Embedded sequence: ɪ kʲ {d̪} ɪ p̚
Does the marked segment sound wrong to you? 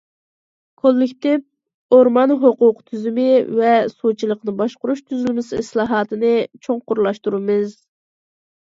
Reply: yes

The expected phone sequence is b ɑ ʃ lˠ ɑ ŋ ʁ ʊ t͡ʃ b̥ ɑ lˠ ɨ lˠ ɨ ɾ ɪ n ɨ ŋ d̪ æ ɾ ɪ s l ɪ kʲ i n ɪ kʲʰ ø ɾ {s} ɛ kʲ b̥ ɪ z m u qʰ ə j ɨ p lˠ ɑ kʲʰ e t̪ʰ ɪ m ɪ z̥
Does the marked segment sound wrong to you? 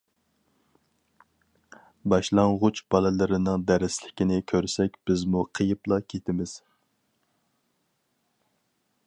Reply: no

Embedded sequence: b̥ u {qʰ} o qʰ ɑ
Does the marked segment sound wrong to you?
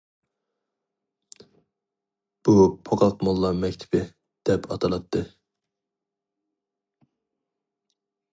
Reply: yes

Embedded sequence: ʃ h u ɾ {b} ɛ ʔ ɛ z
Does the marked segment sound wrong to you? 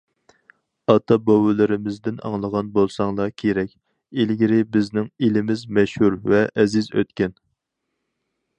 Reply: yes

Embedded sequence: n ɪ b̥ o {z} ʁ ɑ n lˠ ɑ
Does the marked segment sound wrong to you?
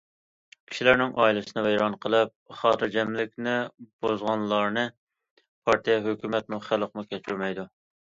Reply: no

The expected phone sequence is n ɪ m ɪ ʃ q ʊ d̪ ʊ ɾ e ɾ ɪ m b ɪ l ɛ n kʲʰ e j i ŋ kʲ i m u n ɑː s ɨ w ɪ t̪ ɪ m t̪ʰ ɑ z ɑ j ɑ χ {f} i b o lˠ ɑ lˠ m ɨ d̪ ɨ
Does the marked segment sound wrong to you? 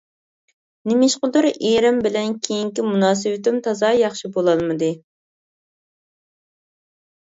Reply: yes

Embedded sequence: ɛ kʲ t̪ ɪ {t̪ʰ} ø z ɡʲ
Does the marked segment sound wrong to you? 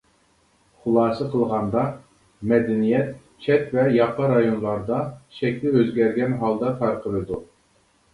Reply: yes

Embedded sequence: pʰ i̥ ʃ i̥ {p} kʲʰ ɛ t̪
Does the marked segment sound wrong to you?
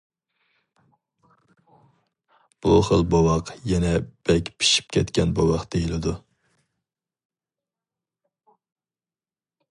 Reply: no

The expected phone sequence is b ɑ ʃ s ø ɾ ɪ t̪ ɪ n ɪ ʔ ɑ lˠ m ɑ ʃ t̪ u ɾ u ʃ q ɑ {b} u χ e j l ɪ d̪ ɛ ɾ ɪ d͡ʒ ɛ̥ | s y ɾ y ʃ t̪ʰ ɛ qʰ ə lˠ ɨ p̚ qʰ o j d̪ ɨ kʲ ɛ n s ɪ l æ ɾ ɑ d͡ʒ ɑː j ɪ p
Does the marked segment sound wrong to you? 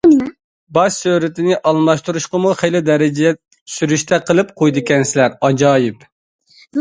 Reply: yes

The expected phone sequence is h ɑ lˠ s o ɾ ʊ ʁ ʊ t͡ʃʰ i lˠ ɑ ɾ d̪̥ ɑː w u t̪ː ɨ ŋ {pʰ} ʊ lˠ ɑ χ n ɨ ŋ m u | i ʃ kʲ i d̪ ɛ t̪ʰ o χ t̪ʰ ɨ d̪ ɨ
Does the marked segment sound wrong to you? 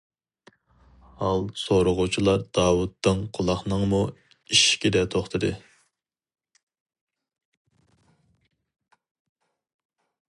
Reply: yes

